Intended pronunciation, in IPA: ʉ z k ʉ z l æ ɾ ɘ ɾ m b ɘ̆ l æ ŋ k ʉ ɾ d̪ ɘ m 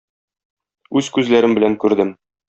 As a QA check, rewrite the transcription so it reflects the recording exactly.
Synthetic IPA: ʉ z k ʉ z l æ ɾ ɘ m b ɘ̆ l æ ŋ k ʉ ɾ d̪ ɘ m